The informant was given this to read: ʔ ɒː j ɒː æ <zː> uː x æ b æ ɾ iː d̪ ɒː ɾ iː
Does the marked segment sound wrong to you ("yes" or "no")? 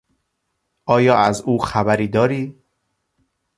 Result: yes